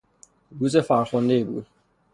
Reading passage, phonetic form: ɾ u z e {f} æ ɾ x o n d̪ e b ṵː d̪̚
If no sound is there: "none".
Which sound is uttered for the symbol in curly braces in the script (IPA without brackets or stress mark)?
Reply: f